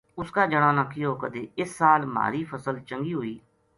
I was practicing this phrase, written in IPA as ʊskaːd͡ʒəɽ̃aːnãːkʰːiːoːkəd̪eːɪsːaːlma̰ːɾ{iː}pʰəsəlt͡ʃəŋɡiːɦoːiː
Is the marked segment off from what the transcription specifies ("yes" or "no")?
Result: no